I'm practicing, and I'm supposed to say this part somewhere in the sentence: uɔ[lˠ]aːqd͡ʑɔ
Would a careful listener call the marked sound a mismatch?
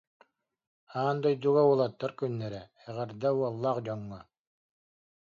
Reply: yes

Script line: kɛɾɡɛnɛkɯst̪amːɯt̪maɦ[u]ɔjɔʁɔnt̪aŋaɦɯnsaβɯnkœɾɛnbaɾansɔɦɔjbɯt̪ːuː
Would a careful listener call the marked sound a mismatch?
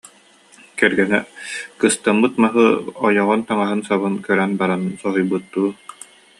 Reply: yes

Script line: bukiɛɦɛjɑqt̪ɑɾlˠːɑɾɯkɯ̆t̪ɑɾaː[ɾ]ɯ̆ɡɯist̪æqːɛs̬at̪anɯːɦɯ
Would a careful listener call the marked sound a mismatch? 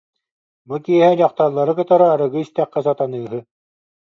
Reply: no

